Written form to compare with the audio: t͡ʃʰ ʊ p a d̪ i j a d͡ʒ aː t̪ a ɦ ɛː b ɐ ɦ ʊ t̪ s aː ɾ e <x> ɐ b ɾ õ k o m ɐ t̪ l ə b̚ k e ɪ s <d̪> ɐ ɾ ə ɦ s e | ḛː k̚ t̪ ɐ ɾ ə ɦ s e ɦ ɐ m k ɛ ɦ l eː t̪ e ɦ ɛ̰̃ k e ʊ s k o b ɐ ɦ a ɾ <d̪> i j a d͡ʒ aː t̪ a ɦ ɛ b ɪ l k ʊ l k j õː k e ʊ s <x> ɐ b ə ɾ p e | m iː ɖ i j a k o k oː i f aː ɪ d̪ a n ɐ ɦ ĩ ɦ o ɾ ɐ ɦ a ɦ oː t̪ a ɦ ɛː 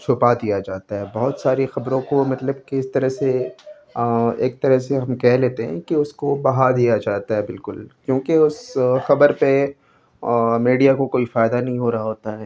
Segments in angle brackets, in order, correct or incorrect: correct, incorrect, correct, correct

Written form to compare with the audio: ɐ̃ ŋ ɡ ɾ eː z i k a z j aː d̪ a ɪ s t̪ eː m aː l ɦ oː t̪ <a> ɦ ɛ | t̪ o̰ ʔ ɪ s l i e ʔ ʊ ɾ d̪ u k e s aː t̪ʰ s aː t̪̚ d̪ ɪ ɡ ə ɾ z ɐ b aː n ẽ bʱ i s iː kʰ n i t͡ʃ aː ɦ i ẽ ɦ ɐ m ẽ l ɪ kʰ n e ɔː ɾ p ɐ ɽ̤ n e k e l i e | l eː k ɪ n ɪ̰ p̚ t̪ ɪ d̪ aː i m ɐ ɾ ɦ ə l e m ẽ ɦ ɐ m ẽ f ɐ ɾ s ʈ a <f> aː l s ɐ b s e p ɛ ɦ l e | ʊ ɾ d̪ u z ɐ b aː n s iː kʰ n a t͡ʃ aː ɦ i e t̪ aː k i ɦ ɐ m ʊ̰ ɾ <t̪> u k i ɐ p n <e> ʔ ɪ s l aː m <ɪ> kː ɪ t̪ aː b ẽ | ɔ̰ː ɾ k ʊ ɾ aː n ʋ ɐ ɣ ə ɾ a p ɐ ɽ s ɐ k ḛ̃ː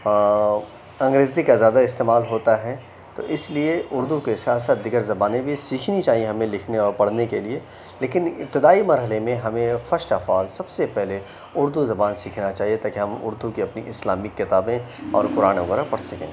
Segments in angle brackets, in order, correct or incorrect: correct, correct, incorrect, incorrect, correct

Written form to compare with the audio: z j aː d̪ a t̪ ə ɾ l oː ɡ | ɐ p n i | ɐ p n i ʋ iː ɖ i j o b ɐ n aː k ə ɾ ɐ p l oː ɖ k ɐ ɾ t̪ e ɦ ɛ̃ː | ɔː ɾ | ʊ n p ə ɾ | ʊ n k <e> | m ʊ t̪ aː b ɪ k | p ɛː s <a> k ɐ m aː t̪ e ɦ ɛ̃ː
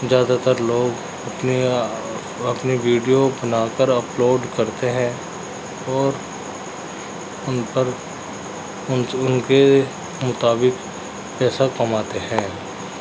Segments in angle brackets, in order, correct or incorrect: correct, correct

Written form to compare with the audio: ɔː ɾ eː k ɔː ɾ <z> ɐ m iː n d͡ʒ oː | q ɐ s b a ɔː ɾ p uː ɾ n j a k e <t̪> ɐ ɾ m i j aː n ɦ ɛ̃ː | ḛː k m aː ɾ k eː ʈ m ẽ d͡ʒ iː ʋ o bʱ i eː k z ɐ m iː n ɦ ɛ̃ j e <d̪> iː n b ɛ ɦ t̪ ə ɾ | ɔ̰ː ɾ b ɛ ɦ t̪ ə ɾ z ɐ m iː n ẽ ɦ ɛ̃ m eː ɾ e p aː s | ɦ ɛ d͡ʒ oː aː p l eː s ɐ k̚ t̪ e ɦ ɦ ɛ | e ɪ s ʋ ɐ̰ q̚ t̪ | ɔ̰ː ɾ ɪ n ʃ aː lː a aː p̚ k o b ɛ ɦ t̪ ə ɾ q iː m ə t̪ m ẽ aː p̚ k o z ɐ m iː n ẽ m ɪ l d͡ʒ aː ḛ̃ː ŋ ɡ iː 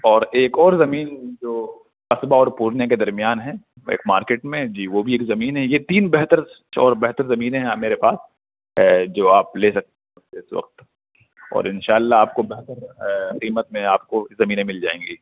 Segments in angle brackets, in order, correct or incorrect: correct, incorrect, incorrect

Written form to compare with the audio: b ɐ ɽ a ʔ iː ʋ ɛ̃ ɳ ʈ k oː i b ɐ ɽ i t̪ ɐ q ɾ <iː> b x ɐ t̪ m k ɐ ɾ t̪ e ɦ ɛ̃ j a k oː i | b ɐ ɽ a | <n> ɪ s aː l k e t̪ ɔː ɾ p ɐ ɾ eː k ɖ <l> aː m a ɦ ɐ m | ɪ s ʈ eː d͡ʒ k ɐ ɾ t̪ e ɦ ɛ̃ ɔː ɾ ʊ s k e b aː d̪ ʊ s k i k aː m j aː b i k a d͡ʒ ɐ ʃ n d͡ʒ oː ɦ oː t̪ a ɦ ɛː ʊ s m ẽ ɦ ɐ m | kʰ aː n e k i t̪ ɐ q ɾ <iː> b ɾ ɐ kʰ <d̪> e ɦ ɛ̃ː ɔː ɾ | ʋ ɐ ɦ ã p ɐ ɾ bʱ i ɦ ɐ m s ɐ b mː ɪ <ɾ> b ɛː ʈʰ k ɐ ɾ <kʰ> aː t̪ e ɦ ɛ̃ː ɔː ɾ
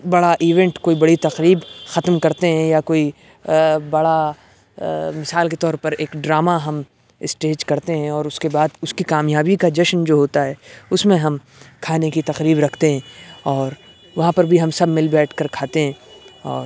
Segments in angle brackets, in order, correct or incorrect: correct, incorrect, incorrect, correct, incorrect, incorrect, correct

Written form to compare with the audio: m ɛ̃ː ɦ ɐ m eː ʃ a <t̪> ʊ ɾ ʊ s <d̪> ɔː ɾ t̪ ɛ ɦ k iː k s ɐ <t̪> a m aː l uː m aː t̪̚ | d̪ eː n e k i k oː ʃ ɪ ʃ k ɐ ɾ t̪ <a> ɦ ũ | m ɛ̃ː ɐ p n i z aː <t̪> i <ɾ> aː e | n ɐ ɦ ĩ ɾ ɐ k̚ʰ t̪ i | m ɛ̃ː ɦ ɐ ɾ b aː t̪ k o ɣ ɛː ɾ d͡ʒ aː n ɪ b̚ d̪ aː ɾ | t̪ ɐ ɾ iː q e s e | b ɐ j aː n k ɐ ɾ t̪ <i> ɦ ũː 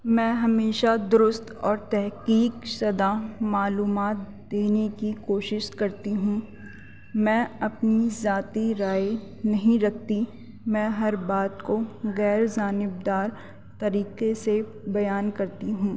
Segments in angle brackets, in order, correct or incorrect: incorrect, incorrect, incorrect, incorrect, correct, correct, correct

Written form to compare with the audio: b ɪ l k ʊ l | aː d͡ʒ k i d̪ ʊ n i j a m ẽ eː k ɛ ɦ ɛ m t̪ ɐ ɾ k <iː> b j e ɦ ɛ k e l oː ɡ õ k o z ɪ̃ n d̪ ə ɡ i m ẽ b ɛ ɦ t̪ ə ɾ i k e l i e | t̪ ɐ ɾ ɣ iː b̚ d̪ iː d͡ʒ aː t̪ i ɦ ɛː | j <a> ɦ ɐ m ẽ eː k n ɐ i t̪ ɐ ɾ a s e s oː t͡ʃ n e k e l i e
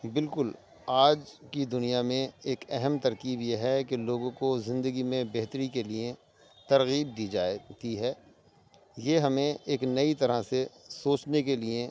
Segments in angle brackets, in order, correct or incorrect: correct, incorrect

